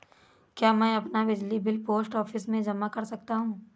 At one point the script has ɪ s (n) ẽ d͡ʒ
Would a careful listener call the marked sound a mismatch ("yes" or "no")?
yes